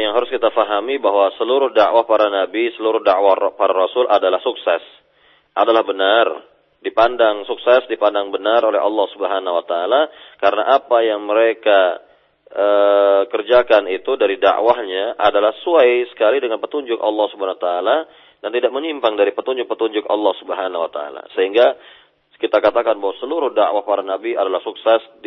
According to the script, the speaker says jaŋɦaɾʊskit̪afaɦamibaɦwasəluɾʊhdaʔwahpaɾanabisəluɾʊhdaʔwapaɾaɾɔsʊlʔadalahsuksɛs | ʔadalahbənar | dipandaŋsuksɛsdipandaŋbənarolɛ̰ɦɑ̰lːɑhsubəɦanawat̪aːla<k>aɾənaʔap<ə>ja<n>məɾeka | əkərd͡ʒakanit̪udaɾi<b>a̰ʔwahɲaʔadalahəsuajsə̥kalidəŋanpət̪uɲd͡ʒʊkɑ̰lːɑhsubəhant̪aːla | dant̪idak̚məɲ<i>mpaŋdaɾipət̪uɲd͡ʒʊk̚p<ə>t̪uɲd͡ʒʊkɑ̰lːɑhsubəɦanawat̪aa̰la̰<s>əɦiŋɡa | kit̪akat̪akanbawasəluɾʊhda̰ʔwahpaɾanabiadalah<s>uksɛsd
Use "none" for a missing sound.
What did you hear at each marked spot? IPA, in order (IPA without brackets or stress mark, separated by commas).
k, a, ŋ, d, i, ə, s, s